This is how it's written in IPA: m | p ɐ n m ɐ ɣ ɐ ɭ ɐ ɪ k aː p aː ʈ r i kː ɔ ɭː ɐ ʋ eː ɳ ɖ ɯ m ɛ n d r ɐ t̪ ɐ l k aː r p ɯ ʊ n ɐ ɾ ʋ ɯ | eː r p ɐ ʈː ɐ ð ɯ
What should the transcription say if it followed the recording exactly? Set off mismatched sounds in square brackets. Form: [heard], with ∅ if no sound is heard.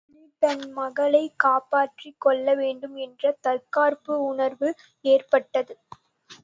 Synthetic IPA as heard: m | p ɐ n m ɐ ɣ ɐ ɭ ɐ ɪ k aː p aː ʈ r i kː ɔ ɭː ɐ ʋ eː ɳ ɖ ɯ m ɛ n d r ɐ t̪ ɐ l k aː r p ɯ ʊ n ɐ ɾ ʋ ɯ | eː r p ɐ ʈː ɐ ð ɯ